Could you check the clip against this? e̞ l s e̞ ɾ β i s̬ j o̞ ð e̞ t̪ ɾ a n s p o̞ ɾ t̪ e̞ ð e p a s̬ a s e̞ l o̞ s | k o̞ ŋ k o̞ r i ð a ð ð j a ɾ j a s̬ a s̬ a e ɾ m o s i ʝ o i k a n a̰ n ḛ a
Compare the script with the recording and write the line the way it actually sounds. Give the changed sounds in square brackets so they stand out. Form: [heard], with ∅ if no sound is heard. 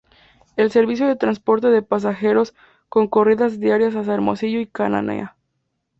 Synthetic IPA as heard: e̞ l s e̞ ɾ β i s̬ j o̞ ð e̞ t̪ ɾ a n s p o̞ ɾ t̪ e̞ ð e p a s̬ a [x] e̞ [ɾ] o̞ s | k o̞ ŋ k o̞ r i ð a [z] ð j a ɾ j a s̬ a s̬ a e ɾ m o s i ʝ o i k a n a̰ n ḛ a

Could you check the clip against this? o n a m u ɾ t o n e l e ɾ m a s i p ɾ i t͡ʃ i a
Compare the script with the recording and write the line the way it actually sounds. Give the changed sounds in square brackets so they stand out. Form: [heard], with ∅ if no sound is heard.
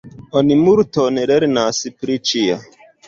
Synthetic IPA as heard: o n [i] m u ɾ t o n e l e ɾ [n] a s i p ɾ i t͡ʃ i a

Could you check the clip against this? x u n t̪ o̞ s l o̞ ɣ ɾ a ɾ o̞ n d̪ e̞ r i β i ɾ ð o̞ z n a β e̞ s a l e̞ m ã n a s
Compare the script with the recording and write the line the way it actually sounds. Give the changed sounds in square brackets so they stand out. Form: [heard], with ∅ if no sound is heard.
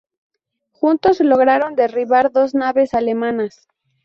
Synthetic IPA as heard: x u n t̪ o̞ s l o̞ ɣ ɾ a ɾ o̞ n d̪ e̞ r i β [a] ɾ ð o̞ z n a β e̞ s a l e̞ m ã n a s

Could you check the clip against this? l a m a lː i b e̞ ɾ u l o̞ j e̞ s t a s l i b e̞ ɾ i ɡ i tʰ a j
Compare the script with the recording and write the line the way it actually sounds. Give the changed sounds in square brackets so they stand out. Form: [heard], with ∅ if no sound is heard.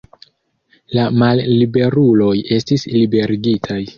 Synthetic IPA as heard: l a m a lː i b e̞ ɾ u l o̞ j e̞ s t [i] s l i b e̞ ɾ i ɡ i tʰ a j

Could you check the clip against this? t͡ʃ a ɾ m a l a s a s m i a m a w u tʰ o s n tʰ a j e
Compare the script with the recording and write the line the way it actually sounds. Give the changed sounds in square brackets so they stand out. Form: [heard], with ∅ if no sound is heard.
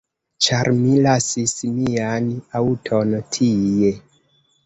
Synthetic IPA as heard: t͡ʃ a ɾ m [i] l a s [i] s m i a [n] a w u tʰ o [∅] n tʰ [i] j e

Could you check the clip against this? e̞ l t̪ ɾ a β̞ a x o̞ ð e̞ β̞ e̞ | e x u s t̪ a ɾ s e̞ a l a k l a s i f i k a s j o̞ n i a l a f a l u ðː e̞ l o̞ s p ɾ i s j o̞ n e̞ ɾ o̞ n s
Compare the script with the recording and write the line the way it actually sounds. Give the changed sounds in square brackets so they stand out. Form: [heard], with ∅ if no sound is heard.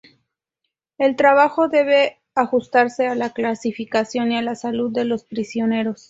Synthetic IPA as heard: e̞ l t̪ ɾ a β̞ a x o̞ ð e̞ β̞ e̞ | [a] x u s t̪ a ɾ s e̞ a l a k l a s i f i k a s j o̞ n i a l a [s] a l u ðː e̞ l o̞ s p ɾ i s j o̞ n e̞ ɾ o̞ [∅] s

